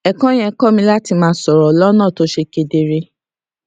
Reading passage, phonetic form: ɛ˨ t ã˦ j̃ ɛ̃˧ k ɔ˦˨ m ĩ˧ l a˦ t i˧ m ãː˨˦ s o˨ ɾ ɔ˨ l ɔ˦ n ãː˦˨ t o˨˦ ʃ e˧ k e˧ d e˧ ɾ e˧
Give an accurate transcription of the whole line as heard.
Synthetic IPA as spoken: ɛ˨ k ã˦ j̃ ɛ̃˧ k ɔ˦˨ m ĩ˧ l a˦ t i˧ m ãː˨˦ s ɔ˨ ɾ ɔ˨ l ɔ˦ n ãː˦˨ t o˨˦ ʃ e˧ k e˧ d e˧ ɾ e˧